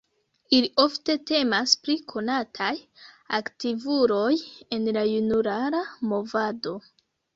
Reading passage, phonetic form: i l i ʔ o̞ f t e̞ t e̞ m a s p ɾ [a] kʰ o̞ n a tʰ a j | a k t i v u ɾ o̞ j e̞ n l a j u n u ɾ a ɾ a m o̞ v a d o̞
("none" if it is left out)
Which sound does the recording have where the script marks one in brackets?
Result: i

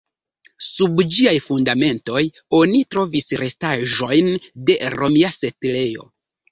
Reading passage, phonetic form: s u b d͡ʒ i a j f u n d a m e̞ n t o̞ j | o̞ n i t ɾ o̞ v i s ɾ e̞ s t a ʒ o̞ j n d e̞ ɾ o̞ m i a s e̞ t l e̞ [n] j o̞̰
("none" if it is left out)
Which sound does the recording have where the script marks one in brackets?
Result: none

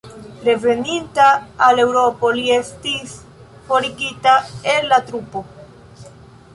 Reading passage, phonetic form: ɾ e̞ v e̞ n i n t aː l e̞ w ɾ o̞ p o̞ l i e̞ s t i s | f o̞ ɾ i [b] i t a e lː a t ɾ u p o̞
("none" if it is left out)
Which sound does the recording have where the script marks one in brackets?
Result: ɡ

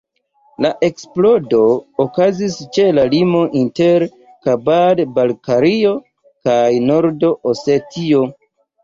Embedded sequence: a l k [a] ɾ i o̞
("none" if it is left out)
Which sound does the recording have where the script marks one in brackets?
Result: a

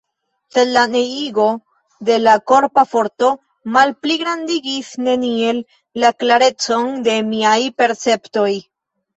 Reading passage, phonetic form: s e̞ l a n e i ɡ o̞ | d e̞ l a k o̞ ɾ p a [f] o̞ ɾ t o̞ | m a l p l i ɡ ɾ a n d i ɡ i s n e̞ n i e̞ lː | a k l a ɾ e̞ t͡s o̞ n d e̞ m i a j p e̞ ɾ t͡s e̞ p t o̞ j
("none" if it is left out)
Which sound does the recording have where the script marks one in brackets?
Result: f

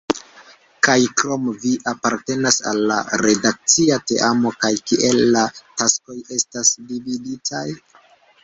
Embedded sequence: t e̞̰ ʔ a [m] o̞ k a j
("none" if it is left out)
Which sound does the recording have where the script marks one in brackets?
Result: m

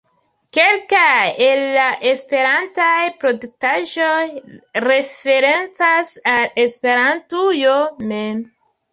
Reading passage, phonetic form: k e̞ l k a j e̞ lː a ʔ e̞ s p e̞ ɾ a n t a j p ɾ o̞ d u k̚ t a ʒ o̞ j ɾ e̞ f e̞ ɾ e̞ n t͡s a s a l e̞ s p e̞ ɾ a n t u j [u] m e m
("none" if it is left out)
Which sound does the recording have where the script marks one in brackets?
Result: o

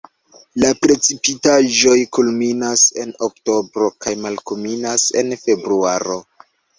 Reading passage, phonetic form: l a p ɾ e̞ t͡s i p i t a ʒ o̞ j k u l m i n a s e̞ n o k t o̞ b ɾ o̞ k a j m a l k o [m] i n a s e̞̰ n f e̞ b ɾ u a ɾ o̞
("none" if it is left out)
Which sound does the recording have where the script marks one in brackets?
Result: m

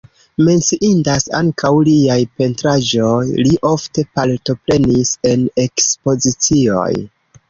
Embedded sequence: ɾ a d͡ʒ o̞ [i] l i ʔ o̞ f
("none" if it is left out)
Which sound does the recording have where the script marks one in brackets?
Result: j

